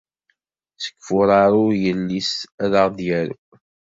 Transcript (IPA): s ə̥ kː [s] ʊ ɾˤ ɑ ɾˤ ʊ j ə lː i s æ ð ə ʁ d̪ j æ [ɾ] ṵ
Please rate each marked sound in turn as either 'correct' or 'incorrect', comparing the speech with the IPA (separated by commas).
incorrect, correct